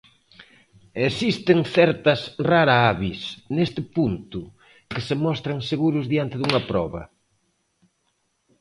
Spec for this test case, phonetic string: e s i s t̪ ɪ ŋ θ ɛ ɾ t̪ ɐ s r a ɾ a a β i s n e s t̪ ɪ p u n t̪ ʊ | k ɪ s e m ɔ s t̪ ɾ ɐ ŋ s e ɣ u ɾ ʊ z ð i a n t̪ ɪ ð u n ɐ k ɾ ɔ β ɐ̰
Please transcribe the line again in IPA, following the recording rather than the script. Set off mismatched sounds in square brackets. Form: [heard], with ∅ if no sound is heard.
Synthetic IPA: e s i s t̪ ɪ ŋ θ ɛ ɾ t̪ ɐ s r a ɾ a a β i s n e s t̪ ɪ p u n t̪ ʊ | k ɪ s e m ɔ s t̪ ɾ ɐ ŋ s e ɣ u ɾ ʊ z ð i a n t̪ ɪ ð u [ŋ] ɐ [p] ɾ ɔ β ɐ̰